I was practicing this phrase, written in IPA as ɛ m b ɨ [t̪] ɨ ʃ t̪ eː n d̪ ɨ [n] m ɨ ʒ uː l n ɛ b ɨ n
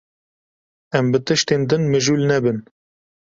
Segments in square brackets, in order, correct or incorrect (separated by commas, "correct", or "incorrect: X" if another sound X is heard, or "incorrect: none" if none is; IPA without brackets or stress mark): correct, correct